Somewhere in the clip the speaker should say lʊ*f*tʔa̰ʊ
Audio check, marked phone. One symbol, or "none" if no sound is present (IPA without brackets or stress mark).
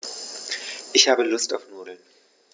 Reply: s